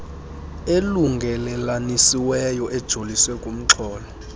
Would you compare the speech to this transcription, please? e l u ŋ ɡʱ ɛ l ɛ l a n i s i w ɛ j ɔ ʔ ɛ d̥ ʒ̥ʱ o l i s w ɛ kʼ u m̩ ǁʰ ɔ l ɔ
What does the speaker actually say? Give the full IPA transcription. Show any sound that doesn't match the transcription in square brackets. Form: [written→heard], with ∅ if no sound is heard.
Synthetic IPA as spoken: e l u ŋ ɡʱ ɛ l ɛ l a n i s i w ɛ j ɔ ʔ ɛ d̥ ʒ̥ʱ o l i s w ɛ kʼ u m̩ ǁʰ [ɔ→ɔː] l ɔ